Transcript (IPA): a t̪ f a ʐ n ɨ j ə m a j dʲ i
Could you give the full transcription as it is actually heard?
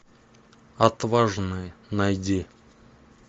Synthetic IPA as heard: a t̪ v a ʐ n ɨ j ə n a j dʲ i